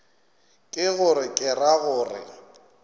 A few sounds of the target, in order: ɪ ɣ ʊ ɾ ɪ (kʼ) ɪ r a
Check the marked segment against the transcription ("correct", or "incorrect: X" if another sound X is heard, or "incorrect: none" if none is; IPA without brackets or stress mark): correct